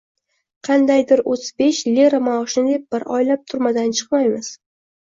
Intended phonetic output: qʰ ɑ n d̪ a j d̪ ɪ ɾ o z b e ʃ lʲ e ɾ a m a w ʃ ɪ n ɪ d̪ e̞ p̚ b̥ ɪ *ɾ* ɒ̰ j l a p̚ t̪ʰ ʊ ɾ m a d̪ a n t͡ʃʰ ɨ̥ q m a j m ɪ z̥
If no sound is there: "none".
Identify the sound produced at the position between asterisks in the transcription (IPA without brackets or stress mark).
ɾ